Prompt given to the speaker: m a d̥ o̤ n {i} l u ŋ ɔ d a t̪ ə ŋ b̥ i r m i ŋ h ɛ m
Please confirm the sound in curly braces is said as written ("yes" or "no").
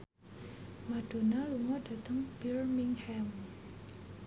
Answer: no